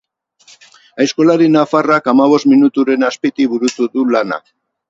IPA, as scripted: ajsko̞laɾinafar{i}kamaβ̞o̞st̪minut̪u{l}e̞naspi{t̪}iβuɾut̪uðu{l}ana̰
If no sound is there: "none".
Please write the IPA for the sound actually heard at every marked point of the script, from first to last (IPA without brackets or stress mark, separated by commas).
a, ɾ, t̪, l